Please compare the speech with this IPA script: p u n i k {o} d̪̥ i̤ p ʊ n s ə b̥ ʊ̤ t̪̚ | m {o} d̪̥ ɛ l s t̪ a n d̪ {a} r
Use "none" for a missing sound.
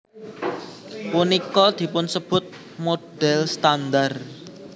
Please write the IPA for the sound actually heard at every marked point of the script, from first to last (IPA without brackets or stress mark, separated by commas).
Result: ɔ, o, a